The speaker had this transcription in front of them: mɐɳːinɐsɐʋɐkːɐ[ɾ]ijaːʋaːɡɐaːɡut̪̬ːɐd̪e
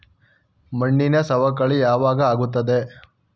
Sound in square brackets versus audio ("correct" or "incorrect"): incorrect